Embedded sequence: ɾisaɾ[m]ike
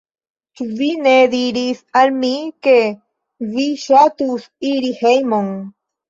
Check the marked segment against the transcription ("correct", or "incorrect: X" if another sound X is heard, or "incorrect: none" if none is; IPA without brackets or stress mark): correct